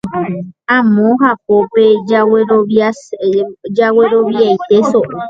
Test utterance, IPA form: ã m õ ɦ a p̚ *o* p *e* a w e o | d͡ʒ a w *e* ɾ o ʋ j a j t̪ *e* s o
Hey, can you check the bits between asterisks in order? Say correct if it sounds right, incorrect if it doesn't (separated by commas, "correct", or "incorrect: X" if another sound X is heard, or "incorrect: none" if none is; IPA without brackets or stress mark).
correct, correct, correct, correct